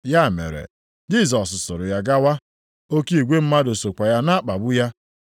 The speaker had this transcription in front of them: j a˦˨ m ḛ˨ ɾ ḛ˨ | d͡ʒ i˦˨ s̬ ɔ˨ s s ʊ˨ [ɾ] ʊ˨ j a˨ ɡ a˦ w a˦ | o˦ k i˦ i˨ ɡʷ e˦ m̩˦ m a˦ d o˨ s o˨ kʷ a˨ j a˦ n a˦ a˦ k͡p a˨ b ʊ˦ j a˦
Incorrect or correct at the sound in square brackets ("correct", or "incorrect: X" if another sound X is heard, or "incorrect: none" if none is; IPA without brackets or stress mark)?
correct